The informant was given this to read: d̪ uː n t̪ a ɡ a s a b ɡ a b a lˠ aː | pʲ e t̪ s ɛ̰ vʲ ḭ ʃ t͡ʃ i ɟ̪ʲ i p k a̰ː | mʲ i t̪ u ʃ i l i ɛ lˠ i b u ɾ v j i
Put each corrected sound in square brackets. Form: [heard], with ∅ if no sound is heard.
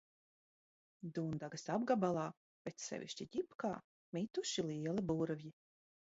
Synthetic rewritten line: d̪ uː n [d̪] a ɡ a s a b ɡ a b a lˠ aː | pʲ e t̪ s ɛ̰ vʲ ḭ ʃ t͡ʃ i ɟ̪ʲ i p k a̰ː | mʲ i t̪ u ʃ i l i ɛ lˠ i b u ɾ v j i